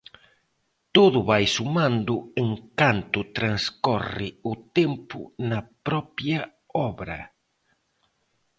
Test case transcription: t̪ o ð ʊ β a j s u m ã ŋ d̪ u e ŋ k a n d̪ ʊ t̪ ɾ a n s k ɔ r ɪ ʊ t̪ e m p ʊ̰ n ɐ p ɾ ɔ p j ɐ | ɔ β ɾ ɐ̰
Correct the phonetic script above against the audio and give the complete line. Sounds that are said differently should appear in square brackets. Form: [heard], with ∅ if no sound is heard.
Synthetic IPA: t̪ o ð ʊ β a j s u m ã [n] d̪ [ʊ] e ŋ k a n [t̪] ʊ t̪ ɾ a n s k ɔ r ɪ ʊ t̪ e m p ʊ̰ n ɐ p ɾ ɔ p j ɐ | ɔ β ɾ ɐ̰